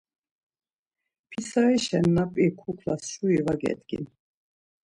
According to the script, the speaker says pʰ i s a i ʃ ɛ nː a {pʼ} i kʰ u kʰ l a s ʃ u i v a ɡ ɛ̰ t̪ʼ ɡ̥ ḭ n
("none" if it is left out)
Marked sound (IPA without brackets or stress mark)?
pʼ